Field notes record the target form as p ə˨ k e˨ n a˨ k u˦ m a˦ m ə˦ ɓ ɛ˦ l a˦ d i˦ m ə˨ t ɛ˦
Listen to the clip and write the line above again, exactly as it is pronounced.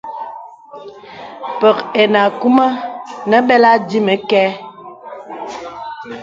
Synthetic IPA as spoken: p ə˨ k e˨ n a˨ k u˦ m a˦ n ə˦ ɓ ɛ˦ l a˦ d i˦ m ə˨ k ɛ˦